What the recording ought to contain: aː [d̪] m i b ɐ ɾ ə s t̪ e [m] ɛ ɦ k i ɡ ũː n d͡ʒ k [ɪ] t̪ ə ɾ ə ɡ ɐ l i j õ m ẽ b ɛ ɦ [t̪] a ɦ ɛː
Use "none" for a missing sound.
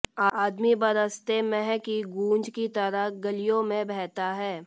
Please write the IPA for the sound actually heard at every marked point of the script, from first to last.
d̪, m, i, t̪

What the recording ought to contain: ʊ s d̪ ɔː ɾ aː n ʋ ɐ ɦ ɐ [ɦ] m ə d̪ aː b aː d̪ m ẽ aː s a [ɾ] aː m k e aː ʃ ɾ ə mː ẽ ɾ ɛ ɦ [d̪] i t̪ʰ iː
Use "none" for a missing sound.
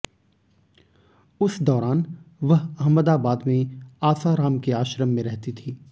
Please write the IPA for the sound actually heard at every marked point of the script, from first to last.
ɦ, ɾ, t̪

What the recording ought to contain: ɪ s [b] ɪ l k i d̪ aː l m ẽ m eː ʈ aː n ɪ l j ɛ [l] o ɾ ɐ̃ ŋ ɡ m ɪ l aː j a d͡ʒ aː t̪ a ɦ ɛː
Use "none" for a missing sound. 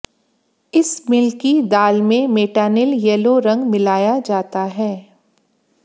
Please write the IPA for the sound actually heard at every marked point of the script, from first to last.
m, l

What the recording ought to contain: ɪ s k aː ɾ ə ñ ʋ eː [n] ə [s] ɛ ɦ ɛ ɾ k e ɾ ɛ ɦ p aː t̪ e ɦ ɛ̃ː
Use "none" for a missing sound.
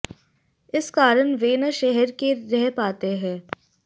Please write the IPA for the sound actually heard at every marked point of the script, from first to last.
n, ʃ

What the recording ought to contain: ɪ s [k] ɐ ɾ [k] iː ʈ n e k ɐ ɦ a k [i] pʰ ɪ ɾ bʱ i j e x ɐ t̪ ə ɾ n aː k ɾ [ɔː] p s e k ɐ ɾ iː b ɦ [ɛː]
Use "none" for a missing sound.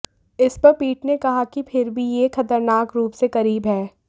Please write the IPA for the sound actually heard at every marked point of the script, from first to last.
p, p, i, uː, ɛː

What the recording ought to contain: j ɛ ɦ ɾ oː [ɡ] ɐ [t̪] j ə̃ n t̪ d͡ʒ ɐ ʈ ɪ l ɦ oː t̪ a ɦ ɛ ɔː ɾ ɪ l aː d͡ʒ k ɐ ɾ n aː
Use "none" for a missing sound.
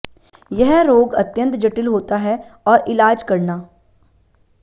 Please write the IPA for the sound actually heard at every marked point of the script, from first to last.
ɡ, t̪

